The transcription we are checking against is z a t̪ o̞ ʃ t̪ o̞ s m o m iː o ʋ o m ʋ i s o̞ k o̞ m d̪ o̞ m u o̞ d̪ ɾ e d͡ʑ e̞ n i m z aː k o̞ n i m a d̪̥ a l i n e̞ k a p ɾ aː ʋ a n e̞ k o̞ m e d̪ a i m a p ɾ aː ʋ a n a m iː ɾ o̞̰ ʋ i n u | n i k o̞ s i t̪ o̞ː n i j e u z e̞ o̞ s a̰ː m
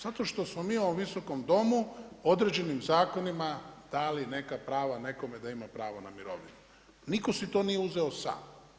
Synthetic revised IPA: z a t̪ o̞ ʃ t̪ o̞ s m o m iː o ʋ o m ʋ i s o̞ k o̞ m d̪ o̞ m u o̞ d̪ ɾ e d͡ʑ e̞ n i m z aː k o̞ n i m a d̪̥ a l i n e̞ k a p ɾ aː ʋ a n e̞ k o̞ m e d̪ a i m a p ɾ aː ʋ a n a m i ɾ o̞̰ ʋ i n u | n i k o̞ s i t̪ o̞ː n i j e u z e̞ o̞ s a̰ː m